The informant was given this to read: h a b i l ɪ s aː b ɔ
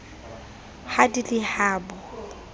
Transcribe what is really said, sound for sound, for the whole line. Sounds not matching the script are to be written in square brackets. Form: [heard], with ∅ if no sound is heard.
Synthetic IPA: h a [d] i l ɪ [h] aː b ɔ